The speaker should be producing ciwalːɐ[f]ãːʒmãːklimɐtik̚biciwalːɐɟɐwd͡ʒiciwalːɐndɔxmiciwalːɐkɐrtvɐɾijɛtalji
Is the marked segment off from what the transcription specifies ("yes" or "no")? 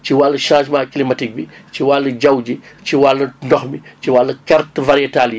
yes